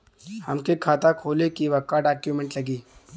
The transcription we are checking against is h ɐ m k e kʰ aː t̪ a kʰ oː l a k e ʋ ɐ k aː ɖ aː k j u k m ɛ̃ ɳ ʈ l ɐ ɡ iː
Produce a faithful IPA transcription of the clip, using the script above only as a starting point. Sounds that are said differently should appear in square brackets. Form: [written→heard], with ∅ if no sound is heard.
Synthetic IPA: h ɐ m k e kʰ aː t̪ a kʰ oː l [a→e] k [e→i] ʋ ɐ k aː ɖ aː k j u [k→∅] m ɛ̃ ɳ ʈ l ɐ ɡ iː